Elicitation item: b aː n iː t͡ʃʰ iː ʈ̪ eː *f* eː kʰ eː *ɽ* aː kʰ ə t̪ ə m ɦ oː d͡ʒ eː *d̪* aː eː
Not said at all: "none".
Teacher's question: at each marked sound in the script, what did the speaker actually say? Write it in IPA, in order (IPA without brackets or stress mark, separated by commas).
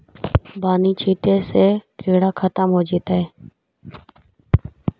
s, ɽ, t̪